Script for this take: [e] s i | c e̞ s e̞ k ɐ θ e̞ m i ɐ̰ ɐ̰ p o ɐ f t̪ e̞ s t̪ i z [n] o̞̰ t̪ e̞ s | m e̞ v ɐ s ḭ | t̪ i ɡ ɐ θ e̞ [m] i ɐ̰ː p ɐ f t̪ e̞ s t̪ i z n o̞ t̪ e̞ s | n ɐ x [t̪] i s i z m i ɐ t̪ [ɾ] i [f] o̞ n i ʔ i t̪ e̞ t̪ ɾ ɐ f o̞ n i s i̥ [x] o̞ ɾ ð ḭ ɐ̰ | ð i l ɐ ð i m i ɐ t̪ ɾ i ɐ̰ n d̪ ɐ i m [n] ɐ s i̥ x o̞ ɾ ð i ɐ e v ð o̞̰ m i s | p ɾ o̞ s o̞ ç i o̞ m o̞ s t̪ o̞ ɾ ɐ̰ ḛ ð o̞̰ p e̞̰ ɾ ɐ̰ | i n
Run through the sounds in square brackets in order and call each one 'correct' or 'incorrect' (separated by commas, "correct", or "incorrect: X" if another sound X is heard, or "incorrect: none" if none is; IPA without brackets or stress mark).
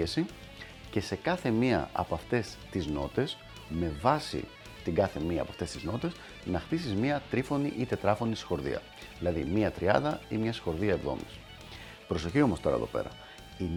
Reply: correct, correct, correct, correct, correct, correct, correct, incorrect: ɲ